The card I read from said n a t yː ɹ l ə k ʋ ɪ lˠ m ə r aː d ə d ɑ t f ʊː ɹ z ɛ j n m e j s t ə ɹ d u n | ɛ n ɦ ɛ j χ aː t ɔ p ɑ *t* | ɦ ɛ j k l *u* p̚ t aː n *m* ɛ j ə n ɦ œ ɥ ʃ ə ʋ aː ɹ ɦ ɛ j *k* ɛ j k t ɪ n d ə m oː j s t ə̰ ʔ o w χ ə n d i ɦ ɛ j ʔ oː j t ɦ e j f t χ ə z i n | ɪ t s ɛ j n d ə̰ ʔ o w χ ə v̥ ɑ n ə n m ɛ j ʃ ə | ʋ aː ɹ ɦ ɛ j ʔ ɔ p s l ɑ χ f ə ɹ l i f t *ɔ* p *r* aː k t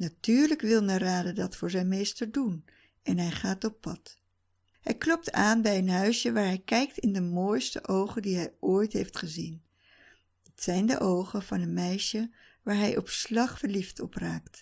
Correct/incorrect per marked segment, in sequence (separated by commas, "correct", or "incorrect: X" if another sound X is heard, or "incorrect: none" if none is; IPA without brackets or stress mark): correct, incorrect: ɔ, incorrect: b, correct, correct, correct